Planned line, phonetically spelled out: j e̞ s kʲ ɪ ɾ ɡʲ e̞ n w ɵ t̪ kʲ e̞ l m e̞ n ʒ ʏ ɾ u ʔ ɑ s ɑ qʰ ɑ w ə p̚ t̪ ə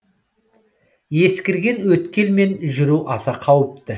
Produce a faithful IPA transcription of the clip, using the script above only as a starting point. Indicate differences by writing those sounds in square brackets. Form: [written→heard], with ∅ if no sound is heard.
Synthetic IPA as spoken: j e̞ s kʲ ɪ ɾ ɡʲ e̞ n w ɵ t̪ kʲ e̞ l m e̞ n ʒ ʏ ɾ u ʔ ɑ s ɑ qʰ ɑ w ə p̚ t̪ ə